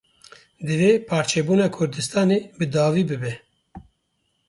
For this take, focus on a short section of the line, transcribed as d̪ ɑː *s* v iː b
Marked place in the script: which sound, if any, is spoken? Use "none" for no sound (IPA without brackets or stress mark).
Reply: none